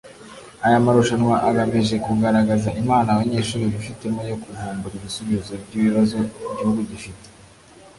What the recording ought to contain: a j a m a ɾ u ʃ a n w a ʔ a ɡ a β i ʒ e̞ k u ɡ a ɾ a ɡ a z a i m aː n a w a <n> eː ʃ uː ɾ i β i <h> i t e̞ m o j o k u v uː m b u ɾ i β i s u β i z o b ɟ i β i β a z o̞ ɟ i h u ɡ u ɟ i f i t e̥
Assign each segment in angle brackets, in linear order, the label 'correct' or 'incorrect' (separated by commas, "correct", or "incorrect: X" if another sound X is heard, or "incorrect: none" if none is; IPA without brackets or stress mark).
incorrect: ɲ, incorrect: f